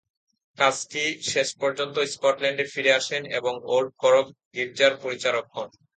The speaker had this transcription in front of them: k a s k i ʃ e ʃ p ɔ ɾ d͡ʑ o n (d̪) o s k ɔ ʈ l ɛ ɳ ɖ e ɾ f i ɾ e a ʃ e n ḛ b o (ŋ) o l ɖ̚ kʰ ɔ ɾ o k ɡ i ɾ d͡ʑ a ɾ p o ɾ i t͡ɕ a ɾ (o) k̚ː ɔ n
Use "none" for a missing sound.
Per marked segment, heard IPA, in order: t̪, ŋ, o

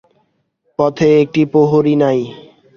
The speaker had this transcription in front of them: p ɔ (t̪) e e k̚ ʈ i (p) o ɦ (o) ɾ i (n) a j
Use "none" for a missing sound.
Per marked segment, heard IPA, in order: t̪ʰ, p, o, n

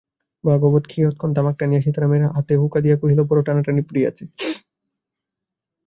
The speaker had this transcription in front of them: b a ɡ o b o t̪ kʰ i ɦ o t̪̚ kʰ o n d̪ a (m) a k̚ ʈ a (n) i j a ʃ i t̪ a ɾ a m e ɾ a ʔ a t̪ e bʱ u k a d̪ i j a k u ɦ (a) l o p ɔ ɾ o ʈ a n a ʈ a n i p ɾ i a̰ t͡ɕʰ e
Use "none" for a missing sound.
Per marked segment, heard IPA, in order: m, n, i

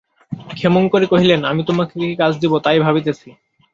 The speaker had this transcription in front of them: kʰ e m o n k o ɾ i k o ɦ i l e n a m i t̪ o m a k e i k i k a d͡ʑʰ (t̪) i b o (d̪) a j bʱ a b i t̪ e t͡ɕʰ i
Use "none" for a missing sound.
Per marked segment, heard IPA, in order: d̪, t̪

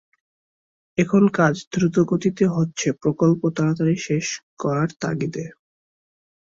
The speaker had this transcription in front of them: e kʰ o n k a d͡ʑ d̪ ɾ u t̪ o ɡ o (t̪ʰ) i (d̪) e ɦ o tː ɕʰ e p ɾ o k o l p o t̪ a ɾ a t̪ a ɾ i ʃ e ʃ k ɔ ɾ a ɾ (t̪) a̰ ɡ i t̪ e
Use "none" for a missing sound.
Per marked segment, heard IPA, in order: t̪, t̪, t̪

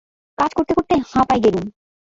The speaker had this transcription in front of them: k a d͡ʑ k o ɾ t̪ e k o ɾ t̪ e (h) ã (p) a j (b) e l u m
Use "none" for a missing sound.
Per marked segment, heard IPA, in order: h, p, ɡ

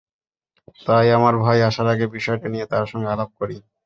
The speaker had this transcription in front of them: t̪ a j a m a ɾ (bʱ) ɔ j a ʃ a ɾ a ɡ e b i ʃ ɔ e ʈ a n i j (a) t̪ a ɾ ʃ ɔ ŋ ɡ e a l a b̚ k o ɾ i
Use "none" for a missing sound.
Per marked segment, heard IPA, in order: bʱ, e

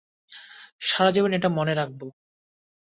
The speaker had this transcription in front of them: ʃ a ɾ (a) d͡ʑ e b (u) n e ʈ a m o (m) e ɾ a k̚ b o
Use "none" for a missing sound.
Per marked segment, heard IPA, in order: a, o, n

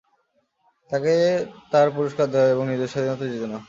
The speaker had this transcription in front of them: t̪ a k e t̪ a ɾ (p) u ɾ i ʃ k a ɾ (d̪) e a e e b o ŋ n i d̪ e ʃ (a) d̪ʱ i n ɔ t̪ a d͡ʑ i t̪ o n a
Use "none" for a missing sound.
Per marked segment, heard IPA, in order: p, d̪, a

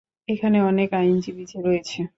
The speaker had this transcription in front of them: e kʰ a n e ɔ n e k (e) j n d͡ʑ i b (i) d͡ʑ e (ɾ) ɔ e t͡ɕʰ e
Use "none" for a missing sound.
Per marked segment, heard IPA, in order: a, i, ɾ

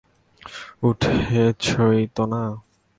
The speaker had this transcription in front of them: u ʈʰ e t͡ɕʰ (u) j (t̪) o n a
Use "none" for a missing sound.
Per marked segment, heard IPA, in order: o, t̪

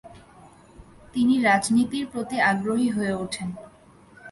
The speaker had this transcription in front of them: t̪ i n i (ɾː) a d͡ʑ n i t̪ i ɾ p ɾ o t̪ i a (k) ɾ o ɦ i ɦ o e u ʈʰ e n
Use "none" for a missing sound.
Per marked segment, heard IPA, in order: ɾ, ɡ

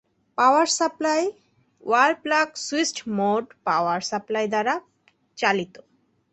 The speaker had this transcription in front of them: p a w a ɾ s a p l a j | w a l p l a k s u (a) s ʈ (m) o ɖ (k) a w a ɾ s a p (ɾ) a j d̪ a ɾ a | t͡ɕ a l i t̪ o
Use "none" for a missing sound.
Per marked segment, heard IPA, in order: i, m, p, l

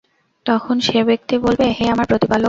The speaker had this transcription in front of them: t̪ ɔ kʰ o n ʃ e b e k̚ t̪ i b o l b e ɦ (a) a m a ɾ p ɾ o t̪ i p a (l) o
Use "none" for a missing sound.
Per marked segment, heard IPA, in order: e, l

